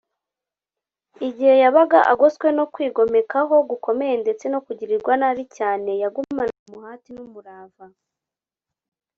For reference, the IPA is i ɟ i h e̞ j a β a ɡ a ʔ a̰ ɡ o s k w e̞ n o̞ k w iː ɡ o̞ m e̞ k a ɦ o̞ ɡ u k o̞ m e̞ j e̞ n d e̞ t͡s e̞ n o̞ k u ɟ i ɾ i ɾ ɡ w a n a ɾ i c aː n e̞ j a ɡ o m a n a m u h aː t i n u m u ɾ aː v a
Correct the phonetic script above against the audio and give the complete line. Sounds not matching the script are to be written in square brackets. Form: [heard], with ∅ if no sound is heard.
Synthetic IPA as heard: i ɟ i h e̞ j a β a ɡ a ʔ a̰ ɡ o s k w e̞ n o̞ k w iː ɡ o̞ m e̞ k a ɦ o̞ ɡ u k o̞ m e̞ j e̞ n d e̞ t͡s e̞ n o̞ k u ɟ i ɾ i ɾ ɡ w a n a ɾ i c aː n e̞ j a ɡ [u] m a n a m u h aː t i n u m u ɾ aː v a